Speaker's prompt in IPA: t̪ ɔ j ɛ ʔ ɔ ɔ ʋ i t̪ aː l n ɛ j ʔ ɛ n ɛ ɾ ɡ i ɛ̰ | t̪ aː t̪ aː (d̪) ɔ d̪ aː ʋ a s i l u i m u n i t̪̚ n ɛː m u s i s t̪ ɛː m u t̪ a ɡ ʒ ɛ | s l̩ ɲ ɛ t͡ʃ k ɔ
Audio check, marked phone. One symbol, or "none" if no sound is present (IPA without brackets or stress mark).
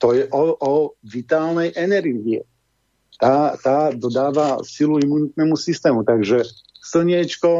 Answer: d̪